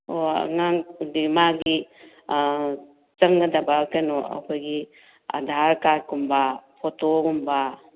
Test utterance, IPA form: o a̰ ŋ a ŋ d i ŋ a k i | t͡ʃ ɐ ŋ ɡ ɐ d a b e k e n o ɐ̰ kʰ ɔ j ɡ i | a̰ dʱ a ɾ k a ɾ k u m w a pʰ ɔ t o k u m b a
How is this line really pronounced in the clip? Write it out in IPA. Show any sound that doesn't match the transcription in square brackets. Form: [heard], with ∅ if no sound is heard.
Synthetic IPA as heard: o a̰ ŋ a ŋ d i [m] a [ɡ] i | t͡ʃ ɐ ŋ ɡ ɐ d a b [a] k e n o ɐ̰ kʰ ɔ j ɡ i | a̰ dʱ a ɾ k a ɾ k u m [b] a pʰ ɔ t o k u m b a